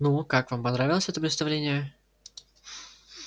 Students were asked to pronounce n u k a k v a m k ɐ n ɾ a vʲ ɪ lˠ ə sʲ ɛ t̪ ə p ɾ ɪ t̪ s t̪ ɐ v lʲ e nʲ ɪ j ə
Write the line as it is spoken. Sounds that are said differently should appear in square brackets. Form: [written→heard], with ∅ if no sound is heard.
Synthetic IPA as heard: n u k a k v a m [k→p] ɐ n ɾ a vʲ ɪ lˠ ə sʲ ɛ t̪ ə p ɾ ɪ t̪ s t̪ ɐ v lʲ e nʲ ɪ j ə